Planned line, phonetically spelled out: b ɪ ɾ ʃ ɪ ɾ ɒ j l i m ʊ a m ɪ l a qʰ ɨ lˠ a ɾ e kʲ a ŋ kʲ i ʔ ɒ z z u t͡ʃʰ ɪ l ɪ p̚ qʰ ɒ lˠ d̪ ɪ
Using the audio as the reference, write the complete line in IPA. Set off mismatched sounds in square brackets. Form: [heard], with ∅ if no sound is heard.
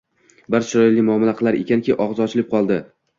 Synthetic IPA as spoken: b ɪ ɾ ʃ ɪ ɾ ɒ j l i m ʊ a m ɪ l a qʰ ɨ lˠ a ɾ e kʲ a [n] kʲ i ʔ ɒ [ʁ] z [ɒ] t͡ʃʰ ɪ l ɪ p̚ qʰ ɒ lˠ d̪ ɪ